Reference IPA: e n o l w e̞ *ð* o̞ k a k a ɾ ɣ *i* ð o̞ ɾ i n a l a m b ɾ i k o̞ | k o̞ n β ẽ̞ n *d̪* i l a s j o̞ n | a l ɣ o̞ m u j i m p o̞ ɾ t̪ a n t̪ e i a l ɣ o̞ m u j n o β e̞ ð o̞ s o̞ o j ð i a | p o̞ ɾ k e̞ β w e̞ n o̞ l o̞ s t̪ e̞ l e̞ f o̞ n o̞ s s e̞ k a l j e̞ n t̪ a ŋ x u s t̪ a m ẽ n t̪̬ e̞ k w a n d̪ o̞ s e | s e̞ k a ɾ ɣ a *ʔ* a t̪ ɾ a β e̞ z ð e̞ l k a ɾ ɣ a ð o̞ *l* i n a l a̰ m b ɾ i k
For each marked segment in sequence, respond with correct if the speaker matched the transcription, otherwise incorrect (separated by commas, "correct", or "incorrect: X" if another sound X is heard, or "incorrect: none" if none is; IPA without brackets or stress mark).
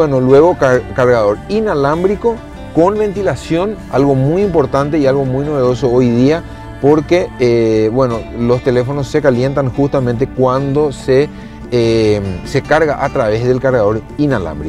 incorrect: ɣ, incorrect: a, incorrect: t̪, correct, incorrect: ɾ